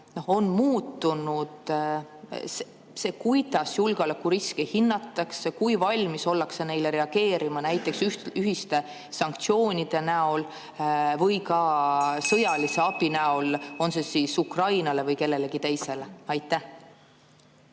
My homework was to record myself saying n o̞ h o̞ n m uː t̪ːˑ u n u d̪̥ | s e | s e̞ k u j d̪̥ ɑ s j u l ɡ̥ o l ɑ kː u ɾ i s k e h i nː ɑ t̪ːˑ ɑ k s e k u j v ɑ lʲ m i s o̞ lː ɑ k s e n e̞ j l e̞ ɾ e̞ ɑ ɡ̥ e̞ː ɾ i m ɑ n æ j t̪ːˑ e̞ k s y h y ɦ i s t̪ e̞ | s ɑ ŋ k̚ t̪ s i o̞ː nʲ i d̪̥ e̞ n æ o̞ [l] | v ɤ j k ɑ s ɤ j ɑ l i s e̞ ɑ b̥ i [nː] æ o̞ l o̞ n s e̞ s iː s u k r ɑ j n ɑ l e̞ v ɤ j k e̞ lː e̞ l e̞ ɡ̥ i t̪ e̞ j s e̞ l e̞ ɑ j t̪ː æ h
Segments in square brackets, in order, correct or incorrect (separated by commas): correct, incorrect